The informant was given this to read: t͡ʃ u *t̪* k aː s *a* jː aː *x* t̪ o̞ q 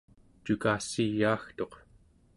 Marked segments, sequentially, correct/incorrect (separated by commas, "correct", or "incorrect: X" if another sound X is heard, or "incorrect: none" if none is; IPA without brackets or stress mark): incorrect: none, incorrect: i, correct